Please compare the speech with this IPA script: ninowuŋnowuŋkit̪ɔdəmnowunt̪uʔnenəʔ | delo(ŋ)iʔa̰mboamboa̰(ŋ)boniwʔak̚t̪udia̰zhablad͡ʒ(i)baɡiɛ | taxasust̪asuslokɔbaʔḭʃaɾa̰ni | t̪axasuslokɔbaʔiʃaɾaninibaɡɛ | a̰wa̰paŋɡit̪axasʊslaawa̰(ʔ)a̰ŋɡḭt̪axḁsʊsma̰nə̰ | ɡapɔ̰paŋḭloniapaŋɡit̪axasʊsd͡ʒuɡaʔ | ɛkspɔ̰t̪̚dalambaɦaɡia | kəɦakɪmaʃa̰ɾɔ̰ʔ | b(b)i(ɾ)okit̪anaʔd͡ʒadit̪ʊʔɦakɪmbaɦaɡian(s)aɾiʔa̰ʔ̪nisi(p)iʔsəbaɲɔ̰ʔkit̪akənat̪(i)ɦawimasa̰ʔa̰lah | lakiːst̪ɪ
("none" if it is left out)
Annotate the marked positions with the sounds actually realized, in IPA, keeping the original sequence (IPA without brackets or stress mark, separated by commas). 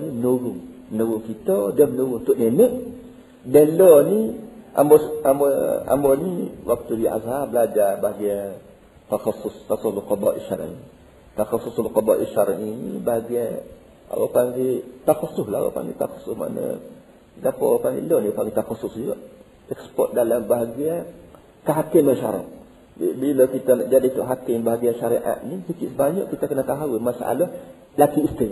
n, m, a, p, b, l, ʃ, k, a